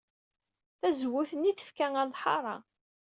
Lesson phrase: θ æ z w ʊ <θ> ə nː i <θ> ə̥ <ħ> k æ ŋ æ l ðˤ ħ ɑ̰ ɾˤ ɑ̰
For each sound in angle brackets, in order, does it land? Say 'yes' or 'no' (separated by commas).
yes, yes, no